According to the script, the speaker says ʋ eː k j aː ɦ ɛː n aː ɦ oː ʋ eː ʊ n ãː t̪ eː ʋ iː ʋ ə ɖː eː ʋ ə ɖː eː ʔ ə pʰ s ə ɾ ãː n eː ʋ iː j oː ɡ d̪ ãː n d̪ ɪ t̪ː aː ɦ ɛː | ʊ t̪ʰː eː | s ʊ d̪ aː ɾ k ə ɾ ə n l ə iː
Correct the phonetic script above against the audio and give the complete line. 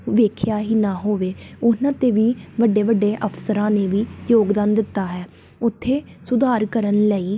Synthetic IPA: ʋ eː kʰ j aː ɦ iː n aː ɦ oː ʋ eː ʊ n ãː t̪ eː ʋ iː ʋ ə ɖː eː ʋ ə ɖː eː ʔ ə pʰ s ə ɾ ãː n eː ʋ iː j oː ɡ d̪ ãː n d̪ ɪ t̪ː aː ɦ ɛː | ʊ t̪ʰː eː | s ʊ d̪ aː ɾ k ə ɾ ə n l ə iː